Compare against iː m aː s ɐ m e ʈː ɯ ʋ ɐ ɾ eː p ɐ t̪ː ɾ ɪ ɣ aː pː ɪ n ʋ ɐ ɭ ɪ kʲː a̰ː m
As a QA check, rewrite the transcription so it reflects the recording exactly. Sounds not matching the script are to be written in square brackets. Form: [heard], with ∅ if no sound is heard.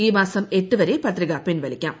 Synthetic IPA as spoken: iː m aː s ɐ m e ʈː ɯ ʋ ɐ ɾ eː p ɐ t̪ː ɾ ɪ ɣ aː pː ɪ n ʋ ɐ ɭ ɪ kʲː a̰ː m